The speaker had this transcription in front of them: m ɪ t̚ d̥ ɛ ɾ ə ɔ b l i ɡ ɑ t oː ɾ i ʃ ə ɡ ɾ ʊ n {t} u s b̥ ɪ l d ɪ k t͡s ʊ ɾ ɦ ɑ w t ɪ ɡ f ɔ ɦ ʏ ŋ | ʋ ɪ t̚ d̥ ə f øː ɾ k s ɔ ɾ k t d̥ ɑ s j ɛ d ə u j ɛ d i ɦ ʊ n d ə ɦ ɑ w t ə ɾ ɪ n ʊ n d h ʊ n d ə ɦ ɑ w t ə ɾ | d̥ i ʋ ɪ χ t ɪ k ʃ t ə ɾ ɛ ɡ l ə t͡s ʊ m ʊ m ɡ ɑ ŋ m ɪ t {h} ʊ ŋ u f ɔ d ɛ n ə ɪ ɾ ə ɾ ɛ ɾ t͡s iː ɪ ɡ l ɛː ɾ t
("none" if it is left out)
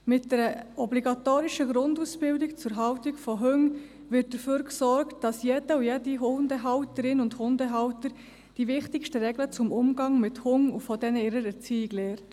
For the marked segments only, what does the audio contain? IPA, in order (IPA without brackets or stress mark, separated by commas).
d, h